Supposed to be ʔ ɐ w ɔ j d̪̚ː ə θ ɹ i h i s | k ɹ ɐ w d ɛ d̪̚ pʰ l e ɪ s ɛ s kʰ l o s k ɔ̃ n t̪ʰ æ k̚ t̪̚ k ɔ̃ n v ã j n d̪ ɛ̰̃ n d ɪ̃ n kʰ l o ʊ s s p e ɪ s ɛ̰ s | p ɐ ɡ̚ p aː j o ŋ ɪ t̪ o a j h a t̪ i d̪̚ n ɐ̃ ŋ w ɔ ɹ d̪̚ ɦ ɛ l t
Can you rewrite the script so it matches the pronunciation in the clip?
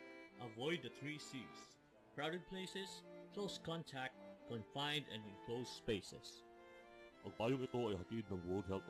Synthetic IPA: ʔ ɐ v ɔ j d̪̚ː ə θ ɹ i s i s | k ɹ a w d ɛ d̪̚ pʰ l e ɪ s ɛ s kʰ l o s k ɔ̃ n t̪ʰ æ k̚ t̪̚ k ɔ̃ n f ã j n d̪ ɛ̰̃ n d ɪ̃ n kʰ l o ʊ s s p e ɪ s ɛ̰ s | p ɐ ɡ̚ p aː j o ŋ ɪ t̪ o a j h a t̪ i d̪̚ n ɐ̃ ŋ w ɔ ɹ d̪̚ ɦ ɛ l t